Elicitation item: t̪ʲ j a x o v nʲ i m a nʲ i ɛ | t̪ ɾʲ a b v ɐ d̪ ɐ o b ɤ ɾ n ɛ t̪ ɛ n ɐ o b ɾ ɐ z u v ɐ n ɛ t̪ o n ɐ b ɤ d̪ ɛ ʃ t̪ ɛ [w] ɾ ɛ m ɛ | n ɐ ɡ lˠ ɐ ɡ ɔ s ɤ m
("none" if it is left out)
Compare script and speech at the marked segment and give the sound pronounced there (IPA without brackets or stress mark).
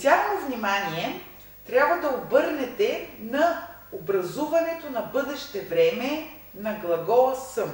v